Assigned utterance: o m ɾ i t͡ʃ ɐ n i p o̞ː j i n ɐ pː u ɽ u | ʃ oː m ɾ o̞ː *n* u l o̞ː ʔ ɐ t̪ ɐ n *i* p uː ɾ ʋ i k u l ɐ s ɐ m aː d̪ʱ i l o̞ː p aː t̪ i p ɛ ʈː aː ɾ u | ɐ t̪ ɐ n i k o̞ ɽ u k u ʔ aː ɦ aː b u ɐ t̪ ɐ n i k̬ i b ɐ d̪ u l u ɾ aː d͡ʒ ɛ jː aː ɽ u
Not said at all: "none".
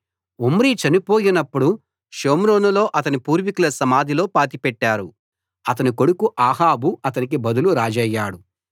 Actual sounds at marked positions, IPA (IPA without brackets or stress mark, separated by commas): n, i